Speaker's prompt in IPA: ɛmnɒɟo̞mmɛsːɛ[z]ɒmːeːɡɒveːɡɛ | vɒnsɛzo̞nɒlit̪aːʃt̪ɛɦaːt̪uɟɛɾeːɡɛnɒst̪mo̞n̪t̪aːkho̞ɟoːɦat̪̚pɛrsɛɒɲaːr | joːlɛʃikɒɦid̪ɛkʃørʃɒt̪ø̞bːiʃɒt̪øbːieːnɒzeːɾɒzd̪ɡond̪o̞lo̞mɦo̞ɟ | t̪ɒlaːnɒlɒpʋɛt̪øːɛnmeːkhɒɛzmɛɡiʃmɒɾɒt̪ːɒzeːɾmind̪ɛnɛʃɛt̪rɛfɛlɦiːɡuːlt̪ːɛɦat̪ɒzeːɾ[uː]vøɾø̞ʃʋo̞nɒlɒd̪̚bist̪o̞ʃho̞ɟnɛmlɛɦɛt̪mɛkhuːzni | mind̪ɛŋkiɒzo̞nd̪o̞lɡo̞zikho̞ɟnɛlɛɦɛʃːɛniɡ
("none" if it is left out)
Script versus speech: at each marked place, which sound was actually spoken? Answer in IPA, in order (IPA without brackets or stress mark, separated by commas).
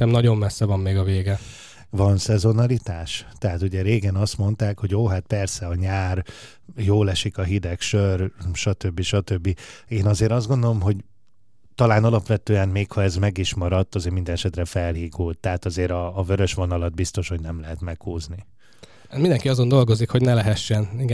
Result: v, ɒː